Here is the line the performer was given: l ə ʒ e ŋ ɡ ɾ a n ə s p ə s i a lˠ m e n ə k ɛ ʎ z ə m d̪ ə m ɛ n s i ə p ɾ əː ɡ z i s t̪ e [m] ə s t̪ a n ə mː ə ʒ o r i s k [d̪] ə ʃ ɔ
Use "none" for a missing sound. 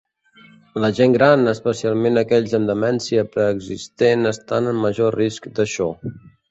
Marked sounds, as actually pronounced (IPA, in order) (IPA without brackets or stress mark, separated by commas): n, d̪